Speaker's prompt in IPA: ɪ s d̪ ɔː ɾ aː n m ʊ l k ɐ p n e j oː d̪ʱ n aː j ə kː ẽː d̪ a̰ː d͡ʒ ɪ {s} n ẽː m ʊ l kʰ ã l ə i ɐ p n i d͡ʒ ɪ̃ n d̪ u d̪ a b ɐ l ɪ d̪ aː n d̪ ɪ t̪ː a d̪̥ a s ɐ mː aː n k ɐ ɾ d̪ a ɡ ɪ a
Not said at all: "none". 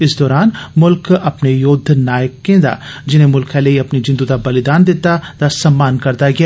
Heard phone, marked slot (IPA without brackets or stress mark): none